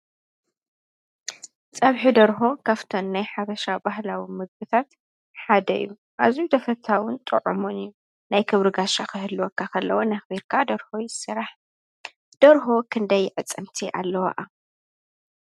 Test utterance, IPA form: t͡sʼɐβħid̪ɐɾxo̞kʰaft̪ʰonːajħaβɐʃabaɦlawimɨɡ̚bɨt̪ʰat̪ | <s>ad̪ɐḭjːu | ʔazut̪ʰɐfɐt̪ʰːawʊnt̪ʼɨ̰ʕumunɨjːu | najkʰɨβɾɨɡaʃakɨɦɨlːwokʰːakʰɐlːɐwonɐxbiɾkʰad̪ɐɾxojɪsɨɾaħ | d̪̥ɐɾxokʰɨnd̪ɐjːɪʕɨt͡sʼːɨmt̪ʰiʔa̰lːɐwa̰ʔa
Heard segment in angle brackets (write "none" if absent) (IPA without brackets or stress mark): ħ